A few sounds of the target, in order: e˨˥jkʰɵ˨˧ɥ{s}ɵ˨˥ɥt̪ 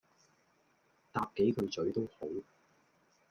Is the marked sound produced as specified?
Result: no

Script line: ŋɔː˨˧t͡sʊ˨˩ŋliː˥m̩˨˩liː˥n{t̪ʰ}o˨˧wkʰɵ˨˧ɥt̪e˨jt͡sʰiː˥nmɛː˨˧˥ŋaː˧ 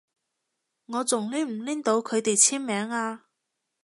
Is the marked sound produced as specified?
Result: no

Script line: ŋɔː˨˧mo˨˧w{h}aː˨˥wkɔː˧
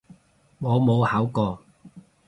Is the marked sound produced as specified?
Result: yes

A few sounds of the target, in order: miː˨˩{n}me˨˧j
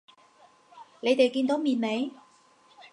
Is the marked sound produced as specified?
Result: yes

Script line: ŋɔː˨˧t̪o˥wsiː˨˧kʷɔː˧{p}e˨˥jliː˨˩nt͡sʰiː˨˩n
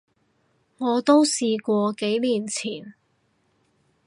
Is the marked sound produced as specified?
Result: no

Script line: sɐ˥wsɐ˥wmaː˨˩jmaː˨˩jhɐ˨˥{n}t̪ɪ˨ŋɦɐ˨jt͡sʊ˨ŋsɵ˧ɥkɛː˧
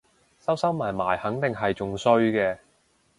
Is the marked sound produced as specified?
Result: no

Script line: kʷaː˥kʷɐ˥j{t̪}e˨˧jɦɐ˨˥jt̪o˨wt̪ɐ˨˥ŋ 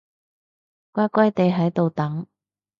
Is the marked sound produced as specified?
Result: yes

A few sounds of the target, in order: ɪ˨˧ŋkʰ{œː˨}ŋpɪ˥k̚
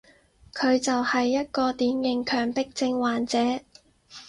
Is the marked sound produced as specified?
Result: yes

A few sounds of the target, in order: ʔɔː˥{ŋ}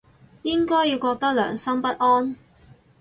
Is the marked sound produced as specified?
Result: no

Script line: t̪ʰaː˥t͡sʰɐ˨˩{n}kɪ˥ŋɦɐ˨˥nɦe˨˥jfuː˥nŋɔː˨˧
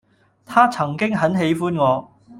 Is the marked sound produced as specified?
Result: no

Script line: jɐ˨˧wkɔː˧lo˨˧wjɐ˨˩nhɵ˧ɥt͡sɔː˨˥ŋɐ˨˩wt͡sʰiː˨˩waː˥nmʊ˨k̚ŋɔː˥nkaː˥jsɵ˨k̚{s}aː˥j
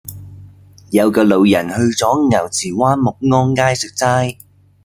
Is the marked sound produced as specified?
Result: no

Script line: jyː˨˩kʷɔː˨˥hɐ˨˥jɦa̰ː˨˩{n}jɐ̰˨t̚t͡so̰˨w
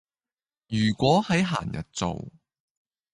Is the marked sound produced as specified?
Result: yes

